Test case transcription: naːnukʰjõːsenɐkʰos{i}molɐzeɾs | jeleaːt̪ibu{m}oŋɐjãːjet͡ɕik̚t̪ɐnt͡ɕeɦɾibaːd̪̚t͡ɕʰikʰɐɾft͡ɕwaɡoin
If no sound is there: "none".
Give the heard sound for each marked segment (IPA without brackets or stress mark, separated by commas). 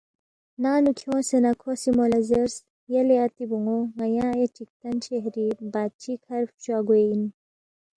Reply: i, ŋ